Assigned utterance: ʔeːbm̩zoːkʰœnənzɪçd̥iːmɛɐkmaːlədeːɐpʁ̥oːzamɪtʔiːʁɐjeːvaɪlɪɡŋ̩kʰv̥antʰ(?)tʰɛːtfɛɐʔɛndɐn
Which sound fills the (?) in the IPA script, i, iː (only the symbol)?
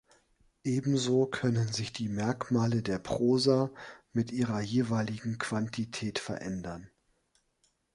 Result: i